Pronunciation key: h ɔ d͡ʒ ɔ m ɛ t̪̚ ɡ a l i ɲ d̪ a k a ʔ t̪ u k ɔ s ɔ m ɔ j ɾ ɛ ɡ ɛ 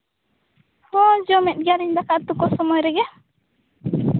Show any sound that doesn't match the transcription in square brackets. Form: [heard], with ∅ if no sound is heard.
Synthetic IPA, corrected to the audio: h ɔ d͡ʒ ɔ m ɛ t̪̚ ɡ a [ɾ] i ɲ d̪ a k a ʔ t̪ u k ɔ s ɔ m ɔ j ɾ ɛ ɡ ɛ